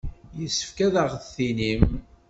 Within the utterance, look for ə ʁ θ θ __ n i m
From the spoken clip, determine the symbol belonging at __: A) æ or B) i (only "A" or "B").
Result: B